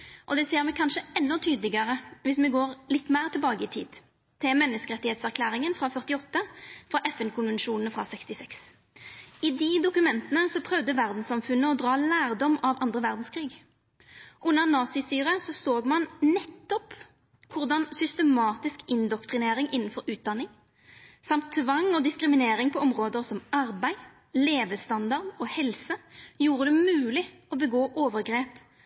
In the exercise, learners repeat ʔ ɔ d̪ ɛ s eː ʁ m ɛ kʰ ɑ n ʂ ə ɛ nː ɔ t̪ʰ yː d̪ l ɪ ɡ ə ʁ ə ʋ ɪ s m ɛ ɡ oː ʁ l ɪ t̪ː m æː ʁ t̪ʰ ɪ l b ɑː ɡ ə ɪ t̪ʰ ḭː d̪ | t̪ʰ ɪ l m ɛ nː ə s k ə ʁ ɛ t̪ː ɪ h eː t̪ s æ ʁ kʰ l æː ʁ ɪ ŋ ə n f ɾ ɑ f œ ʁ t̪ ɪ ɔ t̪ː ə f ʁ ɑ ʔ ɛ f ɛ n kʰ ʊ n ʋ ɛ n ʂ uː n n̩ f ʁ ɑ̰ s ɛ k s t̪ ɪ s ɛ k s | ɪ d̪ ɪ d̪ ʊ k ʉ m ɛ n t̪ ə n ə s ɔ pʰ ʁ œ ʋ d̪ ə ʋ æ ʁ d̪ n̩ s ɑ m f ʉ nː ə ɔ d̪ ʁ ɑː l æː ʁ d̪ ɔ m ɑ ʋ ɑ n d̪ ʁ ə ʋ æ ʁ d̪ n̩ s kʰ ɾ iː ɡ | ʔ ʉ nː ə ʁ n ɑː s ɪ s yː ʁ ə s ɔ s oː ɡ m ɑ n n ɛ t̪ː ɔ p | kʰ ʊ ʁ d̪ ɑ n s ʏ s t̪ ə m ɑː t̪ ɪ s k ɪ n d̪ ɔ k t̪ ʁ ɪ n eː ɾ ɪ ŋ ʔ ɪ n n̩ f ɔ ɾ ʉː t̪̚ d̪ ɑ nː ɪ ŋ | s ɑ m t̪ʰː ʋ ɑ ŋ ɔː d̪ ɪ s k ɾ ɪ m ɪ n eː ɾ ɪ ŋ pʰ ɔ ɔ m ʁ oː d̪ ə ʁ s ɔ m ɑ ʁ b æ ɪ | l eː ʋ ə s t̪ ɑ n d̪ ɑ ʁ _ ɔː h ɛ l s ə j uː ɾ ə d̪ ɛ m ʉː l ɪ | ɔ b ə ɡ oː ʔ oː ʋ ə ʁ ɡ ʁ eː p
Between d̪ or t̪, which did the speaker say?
d̪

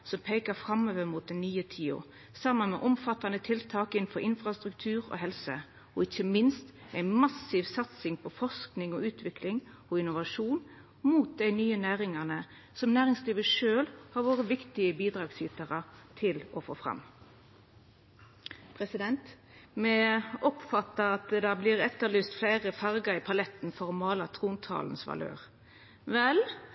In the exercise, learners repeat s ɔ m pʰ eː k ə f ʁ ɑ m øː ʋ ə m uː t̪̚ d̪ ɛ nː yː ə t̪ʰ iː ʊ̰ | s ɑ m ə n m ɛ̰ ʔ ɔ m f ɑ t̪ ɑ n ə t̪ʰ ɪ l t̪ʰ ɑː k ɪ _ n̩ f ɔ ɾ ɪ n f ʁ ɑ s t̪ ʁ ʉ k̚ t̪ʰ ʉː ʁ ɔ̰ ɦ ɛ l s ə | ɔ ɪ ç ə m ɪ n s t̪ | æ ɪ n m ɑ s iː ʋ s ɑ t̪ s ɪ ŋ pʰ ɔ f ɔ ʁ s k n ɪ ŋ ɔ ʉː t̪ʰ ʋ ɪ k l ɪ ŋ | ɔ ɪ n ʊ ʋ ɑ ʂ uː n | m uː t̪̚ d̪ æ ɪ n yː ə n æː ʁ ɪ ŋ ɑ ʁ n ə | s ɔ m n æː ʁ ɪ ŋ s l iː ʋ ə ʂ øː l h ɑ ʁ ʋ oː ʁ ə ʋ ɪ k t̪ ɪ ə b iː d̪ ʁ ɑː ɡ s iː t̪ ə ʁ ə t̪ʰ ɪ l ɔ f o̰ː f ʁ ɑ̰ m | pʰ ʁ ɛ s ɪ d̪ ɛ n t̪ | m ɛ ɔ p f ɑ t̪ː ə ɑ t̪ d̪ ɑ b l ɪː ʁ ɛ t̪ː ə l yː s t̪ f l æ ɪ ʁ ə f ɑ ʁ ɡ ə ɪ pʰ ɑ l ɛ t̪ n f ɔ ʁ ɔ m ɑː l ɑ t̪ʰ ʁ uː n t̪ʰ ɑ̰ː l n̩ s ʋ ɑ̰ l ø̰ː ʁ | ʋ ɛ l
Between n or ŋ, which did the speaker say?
n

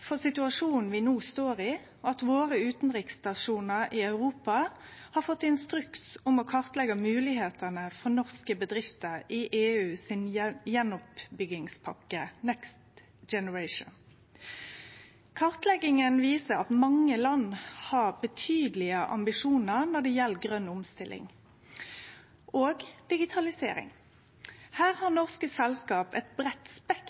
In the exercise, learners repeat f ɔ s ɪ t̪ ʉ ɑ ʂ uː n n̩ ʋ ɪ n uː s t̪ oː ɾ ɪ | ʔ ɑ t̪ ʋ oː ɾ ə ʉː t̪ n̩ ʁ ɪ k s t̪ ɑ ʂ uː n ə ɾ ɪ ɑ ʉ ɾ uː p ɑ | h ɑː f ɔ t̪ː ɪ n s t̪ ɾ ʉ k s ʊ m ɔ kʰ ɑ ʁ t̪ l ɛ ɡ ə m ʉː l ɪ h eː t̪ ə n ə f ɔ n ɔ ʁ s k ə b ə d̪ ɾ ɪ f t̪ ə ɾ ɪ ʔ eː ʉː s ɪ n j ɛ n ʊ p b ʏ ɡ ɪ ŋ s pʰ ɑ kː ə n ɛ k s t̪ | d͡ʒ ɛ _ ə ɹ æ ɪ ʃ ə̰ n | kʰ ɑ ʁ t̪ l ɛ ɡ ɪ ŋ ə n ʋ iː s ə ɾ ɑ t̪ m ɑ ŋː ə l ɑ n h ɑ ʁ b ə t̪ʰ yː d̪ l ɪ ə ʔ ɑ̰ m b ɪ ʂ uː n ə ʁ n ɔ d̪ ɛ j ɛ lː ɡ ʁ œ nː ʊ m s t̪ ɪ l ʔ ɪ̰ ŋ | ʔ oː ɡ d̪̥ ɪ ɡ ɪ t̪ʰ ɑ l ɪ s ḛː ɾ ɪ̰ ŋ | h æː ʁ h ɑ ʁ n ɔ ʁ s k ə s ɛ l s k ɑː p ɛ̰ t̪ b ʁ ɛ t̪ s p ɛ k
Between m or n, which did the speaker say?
n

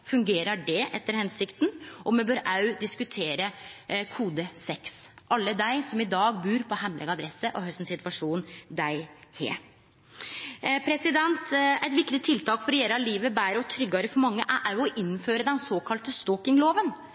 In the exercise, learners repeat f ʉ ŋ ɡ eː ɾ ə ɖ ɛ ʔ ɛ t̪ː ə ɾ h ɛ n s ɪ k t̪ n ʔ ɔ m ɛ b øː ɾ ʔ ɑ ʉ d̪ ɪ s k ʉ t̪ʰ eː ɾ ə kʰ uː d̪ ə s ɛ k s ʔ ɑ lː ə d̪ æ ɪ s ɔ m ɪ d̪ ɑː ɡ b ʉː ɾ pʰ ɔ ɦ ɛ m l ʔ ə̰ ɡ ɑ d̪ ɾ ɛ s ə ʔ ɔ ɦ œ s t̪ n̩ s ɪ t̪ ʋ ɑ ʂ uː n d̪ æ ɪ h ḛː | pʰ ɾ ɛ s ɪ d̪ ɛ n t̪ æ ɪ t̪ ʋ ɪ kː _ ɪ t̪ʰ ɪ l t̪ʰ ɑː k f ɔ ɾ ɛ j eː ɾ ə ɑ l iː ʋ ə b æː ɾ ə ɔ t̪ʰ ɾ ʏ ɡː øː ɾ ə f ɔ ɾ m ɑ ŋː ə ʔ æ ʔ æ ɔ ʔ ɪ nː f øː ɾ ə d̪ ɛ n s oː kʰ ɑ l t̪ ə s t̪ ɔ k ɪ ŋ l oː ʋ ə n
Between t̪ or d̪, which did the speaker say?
t̪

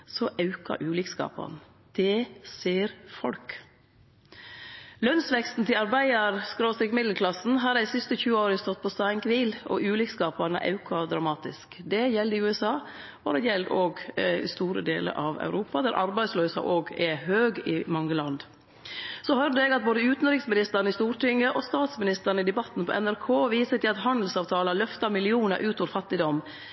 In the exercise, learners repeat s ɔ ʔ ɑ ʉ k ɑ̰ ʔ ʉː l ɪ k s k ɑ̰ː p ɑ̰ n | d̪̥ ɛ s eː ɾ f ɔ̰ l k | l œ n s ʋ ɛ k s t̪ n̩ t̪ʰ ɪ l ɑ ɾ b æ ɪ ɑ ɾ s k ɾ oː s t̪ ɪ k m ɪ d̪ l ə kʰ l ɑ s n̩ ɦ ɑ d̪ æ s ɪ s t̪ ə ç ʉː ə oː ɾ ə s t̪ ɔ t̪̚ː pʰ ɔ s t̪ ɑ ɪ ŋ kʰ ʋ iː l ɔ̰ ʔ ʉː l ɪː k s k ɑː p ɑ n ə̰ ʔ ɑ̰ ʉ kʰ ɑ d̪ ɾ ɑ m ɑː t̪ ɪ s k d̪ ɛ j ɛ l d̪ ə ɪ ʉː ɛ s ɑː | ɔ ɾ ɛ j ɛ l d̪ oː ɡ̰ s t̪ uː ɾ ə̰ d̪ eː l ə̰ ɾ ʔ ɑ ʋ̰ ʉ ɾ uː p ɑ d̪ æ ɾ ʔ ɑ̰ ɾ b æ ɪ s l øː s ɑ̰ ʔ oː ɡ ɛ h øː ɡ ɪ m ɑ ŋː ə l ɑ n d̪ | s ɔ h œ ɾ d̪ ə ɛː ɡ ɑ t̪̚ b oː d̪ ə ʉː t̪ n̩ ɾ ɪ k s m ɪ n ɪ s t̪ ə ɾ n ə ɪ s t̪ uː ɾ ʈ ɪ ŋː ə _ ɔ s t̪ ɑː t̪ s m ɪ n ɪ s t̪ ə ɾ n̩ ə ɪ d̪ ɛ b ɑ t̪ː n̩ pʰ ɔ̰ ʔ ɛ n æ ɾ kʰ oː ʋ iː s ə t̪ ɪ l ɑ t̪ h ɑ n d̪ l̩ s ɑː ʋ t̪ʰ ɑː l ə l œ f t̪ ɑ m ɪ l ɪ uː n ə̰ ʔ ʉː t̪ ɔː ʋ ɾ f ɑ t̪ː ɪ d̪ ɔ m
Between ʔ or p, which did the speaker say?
ʔ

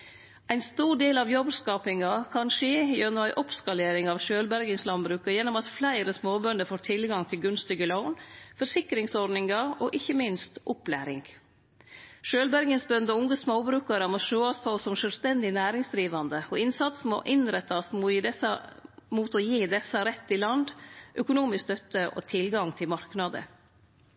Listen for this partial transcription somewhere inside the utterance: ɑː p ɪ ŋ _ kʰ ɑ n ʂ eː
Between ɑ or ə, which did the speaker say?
ɑ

